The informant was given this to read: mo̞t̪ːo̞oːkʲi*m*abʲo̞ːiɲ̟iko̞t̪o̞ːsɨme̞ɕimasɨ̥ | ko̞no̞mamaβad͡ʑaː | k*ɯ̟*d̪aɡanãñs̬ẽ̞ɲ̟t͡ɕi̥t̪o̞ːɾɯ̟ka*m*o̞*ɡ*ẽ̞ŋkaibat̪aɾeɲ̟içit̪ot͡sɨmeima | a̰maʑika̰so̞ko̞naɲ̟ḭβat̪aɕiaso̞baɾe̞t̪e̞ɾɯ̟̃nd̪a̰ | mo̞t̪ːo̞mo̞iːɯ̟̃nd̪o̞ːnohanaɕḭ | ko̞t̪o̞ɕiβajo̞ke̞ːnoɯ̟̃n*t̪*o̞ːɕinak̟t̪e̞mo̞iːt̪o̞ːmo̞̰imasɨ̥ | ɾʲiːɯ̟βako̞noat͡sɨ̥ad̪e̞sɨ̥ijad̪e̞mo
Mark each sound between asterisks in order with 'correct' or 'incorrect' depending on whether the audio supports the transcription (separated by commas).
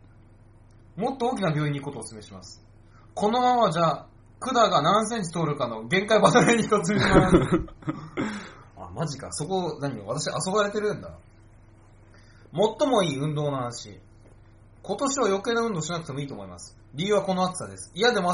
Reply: incorrect, correct, incorrect, correct, incorrect